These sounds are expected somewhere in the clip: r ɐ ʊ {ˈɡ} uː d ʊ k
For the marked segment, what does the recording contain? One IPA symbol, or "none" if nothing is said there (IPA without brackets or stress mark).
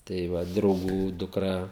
ɡ